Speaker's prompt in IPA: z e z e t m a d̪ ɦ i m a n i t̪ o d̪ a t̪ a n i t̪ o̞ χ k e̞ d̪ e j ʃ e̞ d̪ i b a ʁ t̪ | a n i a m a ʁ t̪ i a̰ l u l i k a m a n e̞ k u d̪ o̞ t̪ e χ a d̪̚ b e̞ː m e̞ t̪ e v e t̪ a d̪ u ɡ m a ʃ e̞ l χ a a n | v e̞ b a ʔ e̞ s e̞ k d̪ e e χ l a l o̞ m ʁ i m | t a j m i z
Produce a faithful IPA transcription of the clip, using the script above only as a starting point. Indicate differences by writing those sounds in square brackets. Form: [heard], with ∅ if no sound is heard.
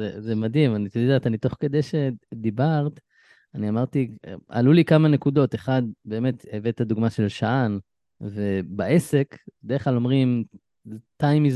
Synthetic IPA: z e z e [∅] m a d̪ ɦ i m a n i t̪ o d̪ a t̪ a n i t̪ o̞ χ k e̞ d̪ e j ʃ e̞ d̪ i b a ʁ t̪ | a n i a m a ʁ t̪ i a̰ l u l i k a m a n e̞ k u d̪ o̞ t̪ e χ a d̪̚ b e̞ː m e̞ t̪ e v e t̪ a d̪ u ɡ m a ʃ e̞ l [ʃ] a a n | v e̞ b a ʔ e̞ s e̞ k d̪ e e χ l a l o̞ m ʁ i m | t a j m i z